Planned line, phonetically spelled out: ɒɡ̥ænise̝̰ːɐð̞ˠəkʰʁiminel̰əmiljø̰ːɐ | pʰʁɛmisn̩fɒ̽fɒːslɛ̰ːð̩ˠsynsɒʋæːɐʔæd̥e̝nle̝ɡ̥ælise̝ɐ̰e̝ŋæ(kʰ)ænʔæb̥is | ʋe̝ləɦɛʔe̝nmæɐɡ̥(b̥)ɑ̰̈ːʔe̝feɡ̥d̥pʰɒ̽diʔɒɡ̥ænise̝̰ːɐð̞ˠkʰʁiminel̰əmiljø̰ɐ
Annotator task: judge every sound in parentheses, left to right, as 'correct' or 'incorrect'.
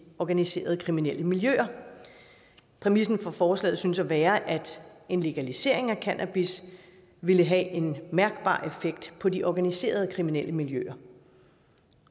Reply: correct, correct

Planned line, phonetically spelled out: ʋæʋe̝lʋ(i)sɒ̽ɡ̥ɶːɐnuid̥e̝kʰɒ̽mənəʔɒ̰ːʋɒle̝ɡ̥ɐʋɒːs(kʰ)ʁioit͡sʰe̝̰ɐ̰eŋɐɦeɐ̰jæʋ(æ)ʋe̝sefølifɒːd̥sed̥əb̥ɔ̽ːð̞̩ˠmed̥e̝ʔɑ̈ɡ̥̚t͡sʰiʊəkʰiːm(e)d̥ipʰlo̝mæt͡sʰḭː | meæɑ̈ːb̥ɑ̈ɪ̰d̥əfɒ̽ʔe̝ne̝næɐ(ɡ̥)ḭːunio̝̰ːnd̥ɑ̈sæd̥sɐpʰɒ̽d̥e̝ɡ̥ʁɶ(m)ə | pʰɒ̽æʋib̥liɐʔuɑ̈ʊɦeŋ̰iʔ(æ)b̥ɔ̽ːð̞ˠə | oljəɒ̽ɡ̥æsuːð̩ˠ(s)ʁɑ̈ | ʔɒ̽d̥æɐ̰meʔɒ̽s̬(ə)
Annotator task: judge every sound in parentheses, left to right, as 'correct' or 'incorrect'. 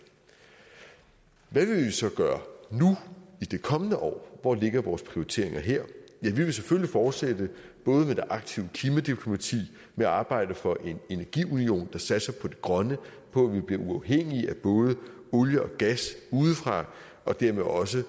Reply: correct, incorrect: pʰ, incorrect: i, incorrect: æ, correct, incorrect: n, correct, incorrect: f, correct

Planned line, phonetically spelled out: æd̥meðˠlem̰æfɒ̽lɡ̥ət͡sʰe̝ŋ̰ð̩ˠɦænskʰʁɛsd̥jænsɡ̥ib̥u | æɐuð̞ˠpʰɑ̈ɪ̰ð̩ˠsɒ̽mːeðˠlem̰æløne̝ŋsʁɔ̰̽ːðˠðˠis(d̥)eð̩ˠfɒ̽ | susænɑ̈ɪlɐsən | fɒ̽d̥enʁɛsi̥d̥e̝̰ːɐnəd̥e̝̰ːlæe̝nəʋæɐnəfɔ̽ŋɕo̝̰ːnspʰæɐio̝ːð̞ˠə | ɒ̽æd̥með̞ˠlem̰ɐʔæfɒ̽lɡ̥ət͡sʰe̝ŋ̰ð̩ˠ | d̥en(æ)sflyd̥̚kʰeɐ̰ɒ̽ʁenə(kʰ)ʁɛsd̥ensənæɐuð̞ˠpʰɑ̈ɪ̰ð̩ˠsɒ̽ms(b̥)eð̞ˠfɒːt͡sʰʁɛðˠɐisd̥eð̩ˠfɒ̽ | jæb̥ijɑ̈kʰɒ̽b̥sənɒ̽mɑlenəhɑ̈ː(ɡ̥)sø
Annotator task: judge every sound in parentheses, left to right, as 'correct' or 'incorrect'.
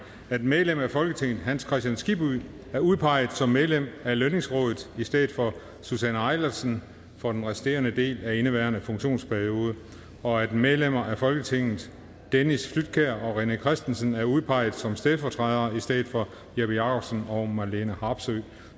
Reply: correct, incorrect: i, correct, incorrect: d̥, incorrect: b̥

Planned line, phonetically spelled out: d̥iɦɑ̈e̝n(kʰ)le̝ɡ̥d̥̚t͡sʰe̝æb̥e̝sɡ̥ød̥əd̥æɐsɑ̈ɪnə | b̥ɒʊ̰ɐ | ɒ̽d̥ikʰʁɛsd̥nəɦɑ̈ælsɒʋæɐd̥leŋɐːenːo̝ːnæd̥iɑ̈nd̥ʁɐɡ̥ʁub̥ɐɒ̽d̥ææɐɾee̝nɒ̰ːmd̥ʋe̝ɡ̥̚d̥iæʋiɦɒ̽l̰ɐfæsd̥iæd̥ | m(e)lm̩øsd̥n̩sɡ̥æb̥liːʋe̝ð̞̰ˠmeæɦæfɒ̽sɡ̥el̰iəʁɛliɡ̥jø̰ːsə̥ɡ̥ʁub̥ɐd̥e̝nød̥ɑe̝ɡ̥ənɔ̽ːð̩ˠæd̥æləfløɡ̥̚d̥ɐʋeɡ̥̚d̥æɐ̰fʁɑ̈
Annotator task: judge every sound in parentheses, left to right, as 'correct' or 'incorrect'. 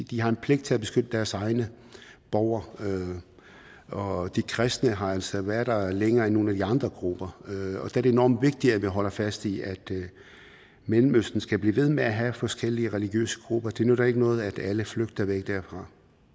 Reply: incorrect: pʰ, correct

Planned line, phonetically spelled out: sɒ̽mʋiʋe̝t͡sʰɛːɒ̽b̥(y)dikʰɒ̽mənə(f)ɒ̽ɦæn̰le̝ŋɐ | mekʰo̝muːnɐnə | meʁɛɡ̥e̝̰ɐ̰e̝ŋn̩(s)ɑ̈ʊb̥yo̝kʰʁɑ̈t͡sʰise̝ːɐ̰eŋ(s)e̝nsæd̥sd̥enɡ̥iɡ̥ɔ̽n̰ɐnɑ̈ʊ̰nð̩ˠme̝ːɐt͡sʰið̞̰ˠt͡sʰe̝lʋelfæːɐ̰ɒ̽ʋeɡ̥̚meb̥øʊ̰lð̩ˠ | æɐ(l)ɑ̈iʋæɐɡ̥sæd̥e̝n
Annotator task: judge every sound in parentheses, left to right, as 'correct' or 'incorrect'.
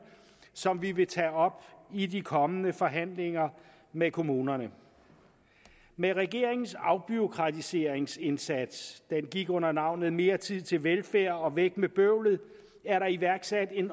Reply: incorrect: i, correct, correct, correct, incorrect: ɾ

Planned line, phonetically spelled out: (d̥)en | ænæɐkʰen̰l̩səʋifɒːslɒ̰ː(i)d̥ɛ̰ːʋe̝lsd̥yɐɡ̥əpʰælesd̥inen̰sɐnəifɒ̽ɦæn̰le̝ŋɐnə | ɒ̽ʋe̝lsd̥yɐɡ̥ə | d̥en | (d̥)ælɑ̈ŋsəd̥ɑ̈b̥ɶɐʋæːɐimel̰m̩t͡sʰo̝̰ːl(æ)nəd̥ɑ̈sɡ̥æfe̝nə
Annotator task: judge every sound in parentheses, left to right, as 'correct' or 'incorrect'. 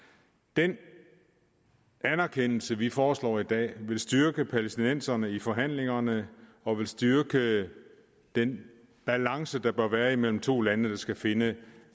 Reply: correct, correct, incorrect: b̥, correct

